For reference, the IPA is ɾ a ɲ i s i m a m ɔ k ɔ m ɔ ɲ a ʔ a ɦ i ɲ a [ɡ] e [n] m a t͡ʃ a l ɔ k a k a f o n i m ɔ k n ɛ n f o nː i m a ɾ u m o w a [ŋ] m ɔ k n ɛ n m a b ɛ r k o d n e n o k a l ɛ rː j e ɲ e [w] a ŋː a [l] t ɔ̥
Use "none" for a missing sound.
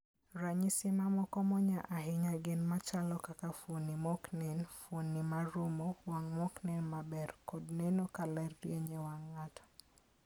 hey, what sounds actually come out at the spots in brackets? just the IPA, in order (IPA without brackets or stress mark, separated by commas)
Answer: ɡ, n, ŋ, w, none